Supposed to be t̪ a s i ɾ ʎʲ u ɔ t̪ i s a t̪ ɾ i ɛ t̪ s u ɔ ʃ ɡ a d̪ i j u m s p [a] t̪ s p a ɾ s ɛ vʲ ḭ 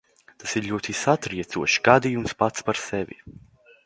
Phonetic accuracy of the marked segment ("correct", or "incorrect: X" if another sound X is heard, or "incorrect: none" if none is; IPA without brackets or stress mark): correct